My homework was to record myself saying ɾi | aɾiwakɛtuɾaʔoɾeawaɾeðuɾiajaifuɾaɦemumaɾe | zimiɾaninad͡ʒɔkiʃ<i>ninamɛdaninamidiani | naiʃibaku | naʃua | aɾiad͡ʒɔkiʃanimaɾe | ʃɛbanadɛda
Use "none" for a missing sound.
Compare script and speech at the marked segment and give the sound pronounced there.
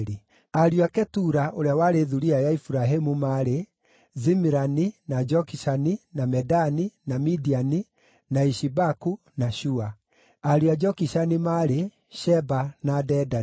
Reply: a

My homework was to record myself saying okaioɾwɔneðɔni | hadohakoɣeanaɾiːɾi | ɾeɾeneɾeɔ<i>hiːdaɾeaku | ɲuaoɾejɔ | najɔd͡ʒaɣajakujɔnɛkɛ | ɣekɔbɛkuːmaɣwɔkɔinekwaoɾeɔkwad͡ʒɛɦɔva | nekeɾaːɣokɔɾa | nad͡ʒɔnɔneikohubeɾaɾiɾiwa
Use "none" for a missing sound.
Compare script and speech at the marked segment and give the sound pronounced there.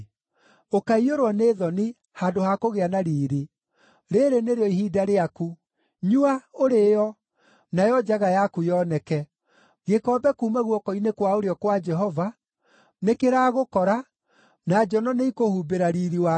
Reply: i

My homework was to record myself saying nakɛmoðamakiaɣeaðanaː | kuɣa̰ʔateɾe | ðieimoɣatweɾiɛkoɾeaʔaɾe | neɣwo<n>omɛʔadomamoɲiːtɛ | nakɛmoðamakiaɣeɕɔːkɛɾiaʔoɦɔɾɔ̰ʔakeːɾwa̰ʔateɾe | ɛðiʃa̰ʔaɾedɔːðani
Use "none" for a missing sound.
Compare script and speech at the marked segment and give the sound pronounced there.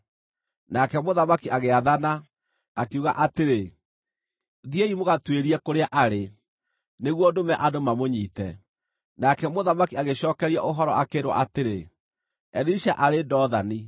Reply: d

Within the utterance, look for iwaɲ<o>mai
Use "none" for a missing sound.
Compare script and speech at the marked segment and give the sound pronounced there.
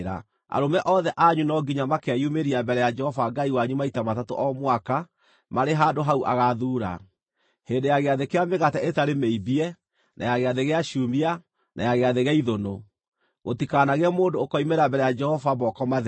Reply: u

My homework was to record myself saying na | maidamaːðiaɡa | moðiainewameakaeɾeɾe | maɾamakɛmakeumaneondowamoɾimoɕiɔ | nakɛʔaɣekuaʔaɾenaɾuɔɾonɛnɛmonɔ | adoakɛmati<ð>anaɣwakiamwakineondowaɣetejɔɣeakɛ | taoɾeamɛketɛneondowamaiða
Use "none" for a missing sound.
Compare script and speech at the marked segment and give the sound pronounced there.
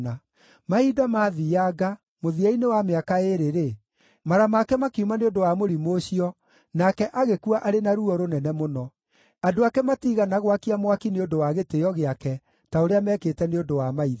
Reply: ɣ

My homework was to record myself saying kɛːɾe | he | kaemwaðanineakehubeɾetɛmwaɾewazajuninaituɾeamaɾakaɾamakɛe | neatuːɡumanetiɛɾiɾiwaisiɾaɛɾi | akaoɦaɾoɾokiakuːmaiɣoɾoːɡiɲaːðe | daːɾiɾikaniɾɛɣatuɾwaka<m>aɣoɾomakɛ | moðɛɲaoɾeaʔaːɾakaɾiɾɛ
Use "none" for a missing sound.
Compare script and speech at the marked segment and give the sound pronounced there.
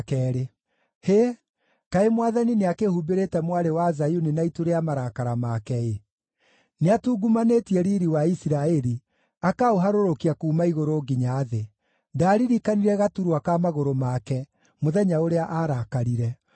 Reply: m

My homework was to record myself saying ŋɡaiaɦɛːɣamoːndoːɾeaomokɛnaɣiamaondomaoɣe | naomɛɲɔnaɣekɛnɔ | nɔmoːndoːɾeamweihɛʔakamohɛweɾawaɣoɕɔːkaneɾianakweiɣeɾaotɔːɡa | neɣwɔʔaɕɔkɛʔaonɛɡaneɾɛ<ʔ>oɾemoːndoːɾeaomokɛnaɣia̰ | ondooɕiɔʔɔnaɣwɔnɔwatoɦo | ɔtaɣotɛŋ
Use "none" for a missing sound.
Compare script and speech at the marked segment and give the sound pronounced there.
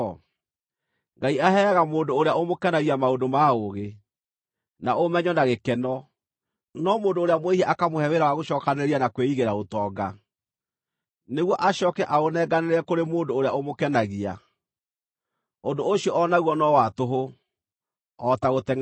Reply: k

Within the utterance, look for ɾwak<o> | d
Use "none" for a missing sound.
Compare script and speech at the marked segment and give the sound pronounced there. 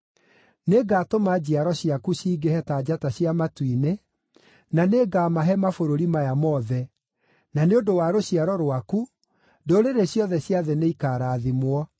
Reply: u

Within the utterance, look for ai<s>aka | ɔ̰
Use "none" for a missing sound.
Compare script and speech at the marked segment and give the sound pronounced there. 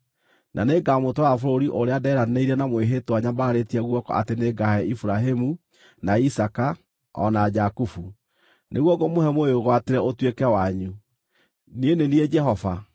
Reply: s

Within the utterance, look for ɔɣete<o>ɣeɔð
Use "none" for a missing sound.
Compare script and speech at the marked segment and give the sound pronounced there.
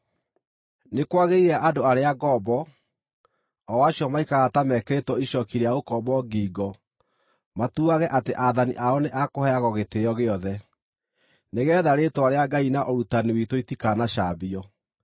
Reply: ɔ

